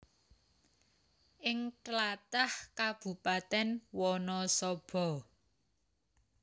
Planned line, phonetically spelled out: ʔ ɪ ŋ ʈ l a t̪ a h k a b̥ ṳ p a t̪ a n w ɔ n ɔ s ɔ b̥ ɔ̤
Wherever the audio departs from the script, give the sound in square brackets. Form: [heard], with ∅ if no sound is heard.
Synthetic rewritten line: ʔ ɪ ŋ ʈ l a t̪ a h k a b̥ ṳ p a t̪ [ɛ] n w ɔ n ɔ s ɔ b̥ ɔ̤